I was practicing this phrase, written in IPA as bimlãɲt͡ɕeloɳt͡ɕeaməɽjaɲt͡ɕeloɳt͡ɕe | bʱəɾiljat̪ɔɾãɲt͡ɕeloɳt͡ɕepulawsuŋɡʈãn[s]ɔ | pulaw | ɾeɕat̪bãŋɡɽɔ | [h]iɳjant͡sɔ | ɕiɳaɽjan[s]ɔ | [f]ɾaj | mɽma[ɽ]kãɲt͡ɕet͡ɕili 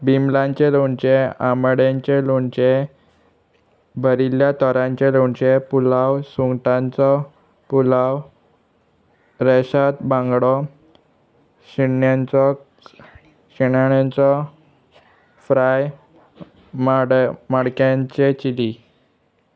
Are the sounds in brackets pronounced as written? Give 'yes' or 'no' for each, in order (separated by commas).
no, no, no, yes, yes